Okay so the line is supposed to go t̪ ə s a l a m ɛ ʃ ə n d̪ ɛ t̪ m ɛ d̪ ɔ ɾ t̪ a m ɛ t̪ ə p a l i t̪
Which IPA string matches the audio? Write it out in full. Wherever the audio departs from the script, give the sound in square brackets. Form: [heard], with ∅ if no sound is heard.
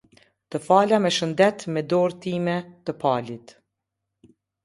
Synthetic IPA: t̪ ə [f] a l a m ɛ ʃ ə n d̪ ɛ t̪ m ɛ d̪ ɔ ɾ t̪ [i] m ɛ t̪ ə p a l i t̪